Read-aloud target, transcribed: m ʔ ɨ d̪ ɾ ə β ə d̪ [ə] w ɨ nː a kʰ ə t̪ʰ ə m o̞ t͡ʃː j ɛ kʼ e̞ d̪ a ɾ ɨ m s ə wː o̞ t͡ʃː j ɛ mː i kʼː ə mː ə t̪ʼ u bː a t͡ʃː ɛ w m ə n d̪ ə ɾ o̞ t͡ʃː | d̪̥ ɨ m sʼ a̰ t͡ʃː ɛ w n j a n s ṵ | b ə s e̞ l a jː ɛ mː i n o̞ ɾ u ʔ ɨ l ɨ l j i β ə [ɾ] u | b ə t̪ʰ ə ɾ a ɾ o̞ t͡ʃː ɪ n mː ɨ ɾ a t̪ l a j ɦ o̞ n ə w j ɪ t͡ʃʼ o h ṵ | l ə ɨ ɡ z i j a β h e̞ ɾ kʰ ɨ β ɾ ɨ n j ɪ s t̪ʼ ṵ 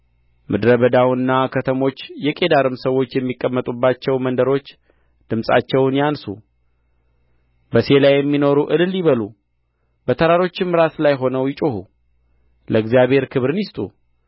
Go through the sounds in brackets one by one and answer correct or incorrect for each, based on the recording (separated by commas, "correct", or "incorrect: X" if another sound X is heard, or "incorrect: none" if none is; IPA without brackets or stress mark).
incorrect: a, incorrect: l